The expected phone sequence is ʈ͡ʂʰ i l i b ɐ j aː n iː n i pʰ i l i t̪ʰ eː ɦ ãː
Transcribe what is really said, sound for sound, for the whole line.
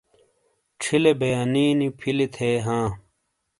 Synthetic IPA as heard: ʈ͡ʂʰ i l e b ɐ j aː n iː n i pʰ i l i t̪ʰ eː ɦ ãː

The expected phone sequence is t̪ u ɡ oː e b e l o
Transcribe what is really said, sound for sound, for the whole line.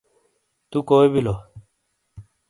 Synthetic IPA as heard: t̪ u k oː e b i l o

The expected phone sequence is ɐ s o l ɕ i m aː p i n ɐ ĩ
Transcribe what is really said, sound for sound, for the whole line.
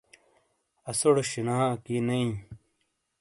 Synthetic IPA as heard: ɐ s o ɽ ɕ i n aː k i n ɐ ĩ

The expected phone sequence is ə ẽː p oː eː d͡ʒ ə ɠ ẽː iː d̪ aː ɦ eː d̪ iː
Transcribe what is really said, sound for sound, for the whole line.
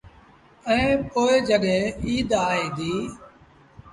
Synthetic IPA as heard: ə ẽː p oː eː d͡ʒ ə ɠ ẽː iː d̪ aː ɦ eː d̪ iː

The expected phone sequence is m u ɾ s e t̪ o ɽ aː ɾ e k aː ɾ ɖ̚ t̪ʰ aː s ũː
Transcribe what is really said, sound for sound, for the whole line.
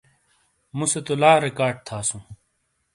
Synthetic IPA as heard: m u s e t̪ o l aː ɾ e k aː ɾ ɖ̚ t̪ʰ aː s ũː

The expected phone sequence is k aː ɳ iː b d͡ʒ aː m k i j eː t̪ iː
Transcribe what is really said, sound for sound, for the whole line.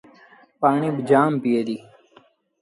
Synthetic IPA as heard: p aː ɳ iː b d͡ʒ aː m p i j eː d̪ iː

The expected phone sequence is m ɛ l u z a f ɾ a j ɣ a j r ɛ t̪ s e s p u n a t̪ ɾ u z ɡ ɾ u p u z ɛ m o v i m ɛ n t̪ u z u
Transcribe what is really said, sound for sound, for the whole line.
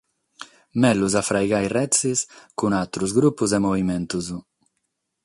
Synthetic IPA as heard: m ɛ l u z a f ɾ a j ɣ a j r ɛ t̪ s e s k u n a t̪ ɾ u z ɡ ɾ u p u z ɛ m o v i m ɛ n t̪ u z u

